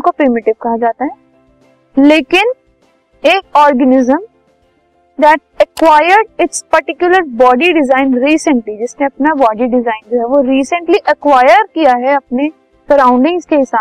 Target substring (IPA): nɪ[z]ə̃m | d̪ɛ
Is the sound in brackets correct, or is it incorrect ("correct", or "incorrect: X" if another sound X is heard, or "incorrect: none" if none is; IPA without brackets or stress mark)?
correct